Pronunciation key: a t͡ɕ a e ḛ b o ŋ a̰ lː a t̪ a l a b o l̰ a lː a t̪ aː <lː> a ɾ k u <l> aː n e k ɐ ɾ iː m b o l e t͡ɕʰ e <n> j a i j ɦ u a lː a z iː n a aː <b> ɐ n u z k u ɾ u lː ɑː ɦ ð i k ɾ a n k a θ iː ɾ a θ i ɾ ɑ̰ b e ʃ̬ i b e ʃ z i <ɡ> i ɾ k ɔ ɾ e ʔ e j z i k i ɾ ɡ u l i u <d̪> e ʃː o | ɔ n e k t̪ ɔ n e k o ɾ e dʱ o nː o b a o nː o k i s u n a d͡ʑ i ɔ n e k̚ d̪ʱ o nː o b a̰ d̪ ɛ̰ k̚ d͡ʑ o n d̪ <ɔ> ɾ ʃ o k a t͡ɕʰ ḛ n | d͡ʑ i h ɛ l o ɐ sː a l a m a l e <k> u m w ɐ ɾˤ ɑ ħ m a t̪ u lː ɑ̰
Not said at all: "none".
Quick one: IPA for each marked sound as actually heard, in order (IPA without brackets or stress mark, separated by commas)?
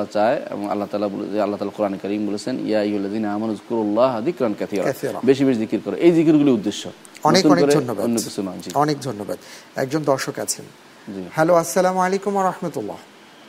l, ɾ, n, m, k, d̪ː, ɔ, k